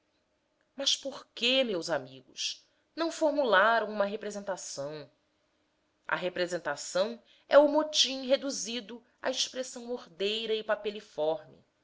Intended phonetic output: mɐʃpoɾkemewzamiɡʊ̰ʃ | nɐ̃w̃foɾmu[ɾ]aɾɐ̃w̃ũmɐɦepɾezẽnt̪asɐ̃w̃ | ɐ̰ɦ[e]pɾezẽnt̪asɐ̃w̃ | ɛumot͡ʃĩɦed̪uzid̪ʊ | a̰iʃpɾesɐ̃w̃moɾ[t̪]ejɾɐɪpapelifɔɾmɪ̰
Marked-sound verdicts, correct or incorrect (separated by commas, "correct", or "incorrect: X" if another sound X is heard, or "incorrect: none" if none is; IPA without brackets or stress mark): incorrect: l, correct, incorrect: d̪